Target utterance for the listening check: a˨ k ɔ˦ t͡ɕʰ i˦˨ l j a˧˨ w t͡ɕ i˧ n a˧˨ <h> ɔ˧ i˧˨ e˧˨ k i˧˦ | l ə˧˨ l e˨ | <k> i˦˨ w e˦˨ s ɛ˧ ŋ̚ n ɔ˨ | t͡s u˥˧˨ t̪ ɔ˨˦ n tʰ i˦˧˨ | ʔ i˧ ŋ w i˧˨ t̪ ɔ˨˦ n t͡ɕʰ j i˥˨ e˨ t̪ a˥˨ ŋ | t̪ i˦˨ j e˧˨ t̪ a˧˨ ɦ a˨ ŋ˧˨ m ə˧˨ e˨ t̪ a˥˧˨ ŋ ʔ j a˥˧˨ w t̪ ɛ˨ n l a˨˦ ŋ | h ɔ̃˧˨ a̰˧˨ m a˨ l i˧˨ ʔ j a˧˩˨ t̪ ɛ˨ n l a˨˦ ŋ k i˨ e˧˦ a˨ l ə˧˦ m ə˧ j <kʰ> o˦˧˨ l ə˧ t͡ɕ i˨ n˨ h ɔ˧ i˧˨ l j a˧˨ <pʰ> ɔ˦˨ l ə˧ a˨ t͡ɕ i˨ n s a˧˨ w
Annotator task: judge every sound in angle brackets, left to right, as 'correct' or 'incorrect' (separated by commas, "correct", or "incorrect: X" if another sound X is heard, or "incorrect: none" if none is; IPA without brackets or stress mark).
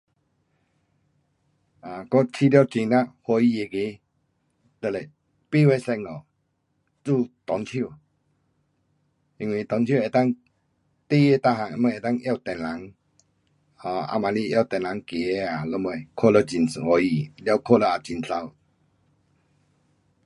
correct, incorrect: p, correct, incorrect: kʰ